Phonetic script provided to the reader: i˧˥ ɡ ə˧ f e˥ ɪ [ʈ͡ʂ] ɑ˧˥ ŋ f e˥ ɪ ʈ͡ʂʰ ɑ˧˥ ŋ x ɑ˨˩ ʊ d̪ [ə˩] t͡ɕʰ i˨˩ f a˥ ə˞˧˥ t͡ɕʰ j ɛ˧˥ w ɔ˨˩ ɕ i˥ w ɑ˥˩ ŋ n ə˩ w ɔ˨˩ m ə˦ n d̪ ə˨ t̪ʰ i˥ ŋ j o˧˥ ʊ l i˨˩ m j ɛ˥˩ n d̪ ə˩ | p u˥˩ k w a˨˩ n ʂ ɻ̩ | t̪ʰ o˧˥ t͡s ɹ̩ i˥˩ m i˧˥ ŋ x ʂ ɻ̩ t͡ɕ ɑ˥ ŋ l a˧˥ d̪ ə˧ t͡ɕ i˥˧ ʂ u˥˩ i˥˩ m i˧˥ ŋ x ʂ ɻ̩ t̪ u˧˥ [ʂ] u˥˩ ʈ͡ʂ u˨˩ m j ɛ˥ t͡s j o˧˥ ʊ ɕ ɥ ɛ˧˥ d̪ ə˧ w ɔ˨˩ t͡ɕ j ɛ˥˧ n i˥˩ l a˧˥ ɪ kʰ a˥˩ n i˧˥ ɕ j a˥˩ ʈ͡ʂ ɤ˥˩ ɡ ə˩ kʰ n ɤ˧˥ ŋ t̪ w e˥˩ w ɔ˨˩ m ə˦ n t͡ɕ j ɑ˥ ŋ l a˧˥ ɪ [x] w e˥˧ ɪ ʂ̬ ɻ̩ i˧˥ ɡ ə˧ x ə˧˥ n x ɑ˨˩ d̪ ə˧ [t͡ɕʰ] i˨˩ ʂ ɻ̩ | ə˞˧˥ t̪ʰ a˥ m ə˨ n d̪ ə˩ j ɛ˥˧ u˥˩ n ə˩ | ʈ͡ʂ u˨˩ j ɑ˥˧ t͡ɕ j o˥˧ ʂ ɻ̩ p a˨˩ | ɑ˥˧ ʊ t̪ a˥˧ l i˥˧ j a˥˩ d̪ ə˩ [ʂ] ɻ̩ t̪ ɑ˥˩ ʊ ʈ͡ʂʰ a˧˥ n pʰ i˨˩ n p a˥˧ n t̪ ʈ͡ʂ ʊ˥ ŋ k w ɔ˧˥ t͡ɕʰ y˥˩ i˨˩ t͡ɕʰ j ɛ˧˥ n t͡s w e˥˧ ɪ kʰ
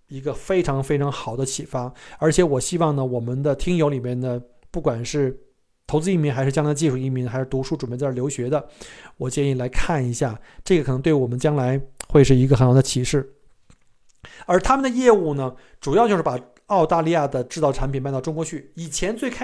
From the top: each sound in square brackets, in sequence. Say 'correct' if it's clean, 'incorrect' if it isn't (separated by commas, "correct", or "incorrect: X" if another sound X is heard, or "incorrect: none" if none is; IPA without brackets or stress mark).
incorrect: ʈ͡ʂʰ, incorrect: ə˦, correct, correct, correct, incorrect: ʈ͡ʂ